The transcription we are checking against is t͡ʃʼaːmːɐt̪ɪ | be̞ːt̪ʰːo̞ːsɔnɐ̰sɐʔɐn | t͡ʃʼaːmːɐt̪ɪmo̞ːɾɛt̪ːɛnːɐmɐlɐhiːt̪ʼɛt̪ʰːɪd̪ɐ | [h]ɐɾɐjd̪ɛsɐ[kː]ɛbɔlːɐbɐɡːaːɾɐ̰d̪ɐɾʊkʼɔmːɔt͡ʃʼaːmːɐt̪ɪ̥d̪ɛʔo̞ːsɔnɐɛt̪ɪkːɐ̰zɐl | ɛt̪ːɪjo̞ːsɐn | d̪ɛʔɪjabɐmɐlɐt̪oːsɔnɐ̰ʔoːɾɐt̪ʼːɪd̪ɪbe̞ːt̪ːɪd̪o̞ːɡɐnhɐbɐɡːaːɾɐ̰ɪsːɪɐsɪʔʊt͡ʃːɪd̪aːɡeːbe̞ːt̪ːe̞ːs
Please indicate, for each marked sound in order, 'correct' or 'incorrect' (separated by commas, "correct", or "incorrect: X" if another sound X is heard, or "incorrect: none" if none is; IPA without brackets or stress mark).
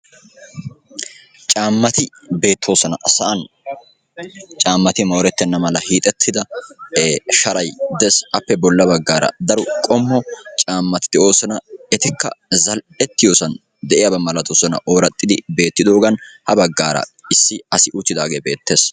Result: incorrect: ʃ, incorrect: pː